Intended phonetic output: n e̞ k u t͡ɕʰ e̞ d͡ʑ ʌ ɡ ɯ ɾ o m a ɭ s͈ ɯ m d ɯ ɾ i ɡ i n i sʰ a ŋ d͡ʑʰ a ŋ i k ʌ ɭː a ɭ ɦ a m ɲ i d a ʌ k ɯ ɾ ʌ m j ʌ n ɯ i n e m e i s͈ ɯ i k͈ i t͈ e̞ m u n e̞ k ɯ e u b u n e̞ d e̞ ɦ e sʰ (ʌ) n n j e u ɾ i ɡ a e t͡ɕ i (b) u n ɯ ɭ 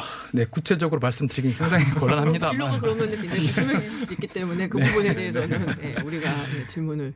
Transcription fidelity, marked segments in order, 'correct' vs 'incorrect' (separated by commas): correct, incorrect